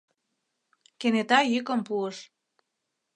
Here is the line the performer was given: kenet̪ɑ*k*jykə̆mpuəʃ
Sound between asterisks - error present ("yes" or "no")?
yes